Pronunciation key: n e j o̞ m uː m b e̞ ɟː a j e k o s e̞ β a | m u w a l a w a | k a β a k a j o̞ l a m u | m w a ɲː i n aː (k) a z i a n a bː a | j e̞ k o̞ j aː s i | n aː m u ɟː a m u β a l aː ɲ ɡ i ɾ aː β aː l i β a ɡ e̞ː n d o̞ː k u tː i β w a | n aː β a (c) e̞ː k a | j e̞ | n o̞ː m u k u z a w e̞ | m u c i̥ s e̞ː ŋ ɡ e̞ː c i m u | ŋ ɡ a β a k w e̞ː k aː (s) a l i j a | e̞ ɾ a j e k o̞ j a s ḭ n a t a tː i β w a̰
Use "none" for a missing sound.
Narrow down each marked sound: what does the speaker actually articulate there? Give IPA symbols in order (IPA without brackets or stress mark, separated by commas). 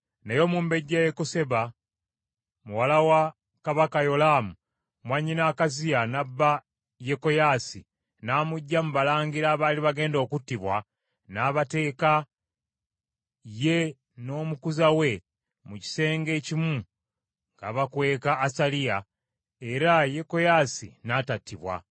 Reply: k, t, s